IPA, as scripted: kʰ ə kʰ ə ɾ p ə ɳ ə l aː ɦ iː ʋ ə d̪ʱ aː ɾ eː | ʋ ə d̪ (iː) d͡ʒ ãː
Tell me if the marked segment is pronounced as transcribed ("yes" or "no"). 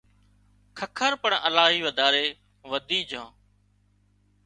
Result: yes